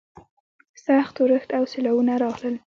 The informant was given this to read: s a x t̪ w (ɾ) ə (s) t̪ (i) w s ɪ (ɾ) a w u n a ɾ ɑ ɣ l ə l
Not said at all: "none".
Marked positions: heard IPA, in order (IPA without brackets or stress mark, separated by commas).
ɾ, x, a, l